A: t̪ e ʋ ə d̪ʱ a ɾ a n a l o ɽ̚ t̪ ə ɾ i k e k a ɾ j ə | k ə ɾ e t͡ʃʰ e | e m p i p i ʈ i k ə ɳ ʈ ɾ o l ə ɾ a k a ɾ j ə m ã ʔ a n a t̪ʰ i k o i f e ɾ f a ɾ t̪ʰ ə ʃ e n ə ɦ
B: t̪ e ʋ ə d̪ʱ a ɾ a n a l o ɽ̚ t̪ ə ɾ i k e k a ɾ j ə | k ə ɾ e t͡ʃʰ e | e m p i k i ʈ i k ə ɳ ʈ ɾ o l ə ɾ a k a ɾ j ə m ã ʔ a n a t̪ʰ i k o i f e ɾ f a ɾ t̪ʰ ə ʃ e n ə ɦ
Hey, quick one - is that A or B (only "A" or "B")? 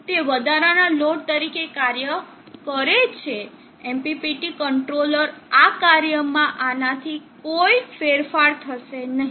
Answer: A